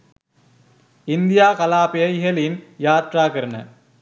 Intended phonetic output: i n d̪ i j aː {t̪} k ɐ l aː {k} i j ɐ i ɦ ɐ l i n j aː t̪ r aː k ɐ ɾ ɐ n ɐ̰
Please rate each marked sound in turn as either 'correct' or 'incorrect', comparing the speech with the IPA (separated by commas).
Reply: incorrect, incorrect